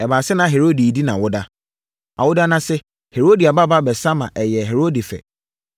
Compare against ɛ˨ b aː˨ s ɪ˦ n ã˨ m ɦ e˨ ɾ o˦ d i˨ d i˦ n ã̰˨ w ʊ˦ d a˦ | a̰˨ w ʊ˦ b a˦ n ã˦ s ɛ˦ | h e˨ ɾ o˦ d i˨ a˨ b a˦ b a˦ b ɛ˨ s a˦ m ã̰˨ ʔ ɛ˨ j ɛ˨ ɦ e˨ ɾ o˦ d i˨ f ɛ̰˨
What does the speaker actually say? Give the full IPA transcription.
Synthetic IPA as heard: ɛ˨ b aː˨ s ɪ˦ n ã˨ ɦ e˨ ɾ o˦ d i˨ d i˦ n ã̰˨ w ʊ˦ d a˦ | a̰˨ w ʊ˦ d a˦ n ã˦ s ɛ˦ | h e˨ ɾ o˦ d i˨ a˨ b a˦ b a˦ b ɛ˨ s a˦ m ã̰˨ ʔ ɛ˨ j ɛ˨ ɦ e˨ ɾ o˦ d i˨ f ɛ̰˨